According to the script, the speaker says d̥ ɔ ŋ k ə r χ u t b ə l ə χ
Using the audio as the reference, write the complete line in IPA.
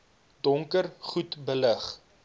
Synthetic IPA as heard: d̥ ɔ ŋ k ə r χ u t b ə l ə χ